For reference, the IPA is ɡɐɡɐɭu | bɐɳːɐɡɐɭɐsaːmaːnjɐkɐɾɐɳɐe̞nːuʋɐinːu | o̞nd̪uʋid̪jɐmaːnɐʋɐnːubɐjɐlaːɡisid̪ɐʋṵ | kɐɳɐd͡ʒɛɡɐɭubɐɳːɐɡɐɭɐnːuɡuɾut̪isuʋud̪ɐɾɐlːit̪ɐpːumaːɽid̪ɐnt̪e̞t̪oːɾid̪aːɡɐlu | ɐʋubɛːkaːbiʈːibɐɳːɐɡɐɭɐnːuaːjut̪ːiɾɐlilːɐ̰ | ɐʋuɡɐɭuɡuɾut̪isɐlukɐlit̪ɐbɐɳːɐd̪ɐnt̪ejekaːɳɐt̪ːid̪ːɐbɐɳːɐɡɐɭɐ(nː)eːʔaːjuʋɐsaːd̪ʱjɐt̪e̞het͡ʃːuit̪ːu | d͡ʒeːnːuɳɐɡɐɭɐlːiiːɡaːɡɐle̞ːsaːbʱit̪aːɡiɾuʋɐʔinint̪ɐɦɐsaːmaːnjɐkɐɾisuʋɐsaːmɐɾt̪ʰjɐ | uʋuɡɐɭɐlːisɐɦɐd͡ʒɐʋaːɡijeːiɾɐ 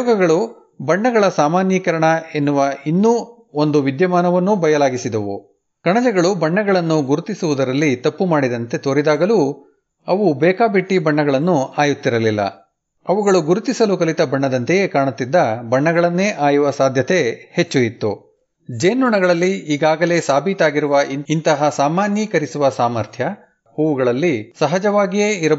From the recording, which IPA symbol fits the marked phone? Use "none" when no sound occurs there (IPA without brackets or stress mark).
nː